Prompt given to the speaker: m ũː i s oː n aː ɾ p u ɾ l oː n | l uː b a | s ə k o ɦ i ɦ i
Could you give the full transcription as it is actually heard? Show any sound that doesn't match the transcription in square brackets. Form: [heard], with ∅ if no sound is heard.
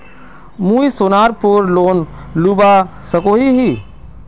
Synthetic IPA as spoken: m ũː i s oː n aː ɾ p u ɾ l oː n | l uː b a | s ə k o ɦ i ɦ i

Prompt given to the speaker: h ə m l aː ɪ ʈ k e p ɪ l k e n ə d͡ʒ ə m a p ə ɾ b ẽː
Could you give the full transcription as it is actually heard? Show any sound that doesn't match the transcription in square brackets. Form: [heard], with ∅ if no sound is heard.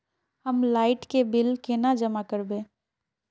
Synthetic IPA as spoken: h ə m l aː ɪ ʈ k e [b] ɪ l k e n [a] d͡ʒ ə m a [k] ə ɾ b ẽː

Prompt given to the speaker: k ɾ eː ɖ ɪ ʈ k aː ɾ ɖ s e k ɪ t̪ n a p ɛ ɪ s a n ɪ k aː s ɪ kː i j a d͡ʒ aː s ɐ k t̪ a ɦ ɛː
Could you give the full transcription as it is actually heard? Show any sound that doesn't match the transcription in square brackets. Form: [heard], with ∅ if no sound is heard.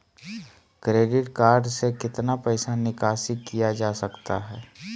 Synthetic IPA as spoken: k ɾ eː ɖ ɪ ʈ k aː ɾ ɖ s e k ɪ t̪ n a p ɛ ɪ s a n ɪ k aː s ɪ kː i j a d͡ʒ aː s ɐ k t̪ a ɦ ɛː

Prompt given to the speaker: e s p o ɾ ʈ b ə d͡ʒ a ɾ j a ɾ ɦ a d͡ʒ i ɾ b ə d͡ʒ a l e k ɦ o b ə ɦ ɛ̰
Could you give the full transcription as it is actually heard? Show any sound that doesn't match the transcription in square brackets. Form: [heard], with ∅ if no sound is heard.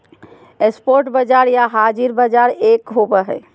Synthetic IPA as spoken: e s p o ɾ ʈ b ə d͡ʒ a ɾ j a [∅] ɦ a d͡ʒ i ɾ b ə d͡ʒ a [ɾ] e k ɦ o b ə ɦ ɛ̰

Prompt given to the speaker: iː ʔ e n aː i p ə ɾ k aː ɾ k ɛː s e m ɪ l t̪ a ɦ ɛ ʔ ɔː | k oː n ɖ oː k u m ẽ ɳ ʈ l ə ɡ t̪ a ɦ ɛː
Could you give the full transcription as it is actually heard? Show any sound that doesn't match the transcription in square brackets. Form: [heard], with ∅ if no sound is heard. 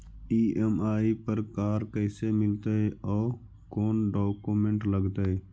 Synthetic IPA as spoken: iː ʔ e [m] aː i p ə ɾ k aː ɾ k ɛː s e m ɪ l t̪ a ɦ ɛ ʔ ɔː | k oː n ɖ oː k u m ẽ ɳ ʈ l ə ɡ t̪ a ɦ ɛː

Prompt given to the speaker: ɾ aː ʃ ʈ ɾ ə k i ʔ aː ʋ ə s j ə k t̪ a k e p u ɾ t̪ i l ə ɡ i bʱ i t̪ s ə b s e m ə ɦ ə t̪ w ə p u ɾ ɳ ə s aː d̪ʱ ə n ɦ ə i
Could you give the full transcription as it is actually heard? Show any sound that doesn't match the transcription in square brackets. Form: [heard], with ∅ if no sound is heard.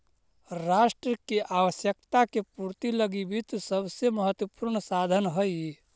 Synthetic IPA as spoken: ɾ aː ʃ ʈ ɾ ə k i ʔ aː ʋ ə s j ə k t̪ a k e p u ɾ t̪ i l ə ɡ i bʱ i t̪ s ə b s e m ə ɦ ə t̪ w ə p u ɾ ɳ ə s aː d̪ʱ ə n ɦ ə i

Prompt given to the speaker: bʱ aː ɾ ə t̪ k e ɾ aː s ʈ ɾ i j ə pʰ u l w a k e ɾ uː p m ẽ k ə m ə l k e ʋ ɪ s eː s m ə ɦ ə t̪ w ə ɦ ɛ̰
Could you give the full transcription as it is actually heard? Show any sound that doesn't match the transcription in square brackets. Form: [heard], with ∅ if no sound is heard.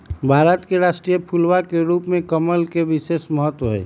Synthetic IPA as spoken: bʱ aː ɾ ə t̪ k e ɾ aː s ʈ ɾ i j ə pʰ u l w a k e ɾ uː p m ẽ k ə m ə l k e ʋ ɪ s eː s m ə ɦ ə t̪ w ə ɦ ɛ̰

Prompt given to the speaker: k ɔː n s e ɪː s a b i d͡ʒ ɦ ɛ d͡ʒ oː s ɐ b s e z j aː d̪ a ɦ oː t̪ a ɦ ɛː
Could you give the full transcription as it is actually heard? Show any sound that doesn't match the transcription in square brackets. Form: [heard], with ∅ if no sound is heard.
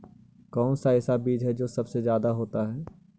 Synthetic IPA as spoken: k ɔː n s [a] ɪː s a b [iː] d͡ʒ ɦ ɛ d͡ʒ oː s ɐ b s e z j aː d̪ a ɦ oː t̪ a ɦ ɛː

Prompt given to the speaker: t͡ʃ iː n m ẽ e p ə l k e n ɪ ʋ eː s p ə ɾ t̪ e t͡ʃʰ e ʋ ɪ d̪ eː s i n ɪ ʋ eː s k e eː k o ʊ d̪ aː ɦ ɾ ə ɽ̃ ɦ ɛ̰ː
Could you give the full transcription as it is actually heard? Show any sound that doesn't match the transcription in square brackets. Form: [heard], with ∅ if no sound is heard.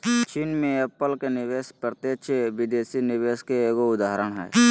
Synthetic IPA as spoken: t͡ʃ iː n m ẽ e p ə l k e n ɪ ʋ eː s p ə ɾ t̪ e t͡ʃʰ e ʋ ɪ d̪ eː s i n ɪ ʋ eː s k e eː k o ʊ d̪ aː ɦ ɾ ə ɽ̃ ɦ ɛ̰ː

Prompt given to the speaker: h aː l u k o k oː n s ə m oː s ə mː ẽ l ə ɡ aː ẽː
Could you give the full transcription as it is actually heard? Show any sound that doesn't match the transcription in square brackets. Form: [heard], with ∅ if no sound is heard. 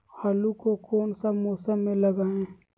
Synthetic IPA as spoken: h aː l u k o k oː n s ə m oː s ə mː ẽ l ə ɡ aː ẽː

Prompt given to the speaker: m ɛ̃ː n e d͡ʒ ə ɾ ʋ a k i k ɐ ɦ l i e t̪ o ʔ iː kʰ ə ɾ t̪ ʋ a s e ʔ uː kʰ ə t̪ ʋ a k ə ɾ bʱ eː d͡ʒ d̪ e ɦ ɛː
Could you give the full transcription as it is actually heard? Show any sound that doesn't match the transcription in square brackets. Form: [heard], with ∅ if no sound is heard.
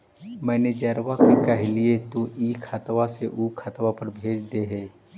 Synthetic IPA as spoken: m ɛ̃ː n e d͡ʒ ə ɾ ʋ a k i k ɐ ɦ l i e t̪ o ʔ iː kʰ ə [∅] t̪ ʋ a s e ʔ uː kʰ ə t̪ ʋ a [p] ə ɾ bʱ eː d͡ʒ d̪ e ɦ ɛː

